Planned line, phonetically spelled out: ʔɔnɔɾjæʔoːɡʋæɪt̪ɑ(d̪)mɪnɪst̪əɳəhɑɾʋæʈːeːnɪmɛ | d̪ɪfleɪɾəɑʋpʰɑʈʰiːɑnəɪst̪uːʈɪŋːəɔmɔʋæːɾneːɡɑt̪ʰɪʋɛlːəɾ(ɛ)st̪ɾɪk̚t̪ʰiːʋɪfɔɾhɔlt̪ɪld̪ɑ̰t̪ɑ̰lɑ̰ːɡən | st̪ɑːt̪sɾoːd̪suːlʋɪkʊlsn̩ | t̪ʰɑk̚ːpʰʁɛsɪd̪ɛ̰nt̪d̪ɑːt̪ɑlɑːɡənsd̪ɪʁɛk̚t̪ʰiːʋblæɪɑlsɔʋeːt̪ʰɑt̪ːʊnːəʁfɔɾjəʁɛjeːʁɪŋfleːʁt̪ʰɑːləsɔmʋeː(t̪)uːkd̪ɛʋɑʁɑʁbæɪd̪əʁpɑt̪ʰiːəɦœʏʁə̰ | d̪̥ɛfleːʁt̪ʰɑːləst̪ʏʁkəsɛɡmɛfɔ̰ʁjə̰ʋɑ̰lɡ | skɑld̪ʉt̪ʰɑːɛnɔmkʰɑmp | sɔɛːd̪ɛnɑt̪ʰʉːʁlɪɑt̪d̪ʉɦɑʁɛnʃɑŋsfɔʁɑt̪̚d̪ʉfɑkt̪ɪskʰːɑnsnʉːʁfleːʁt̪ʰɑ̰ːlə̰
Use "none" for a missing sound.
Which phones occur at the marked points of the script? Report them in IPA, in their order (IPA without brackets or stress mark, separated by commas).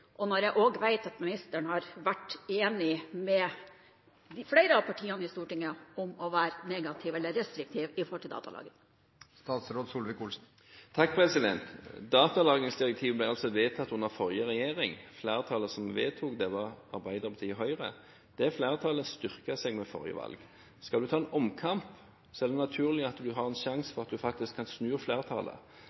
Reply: t̪, ɛ, t̪ʰ